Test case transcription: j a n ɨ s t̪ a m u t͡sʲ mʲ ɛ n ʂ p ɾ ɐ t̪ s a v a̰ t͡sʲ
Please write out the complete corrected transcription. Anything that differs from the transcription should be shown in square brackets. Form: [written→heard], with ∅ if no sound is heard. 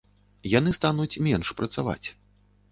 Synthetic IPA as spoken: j a n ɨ s t̪ a [m→n] u t͡sʲ mʲ ɛ n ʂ p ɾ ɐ t̪ s a v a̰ t͡sʲ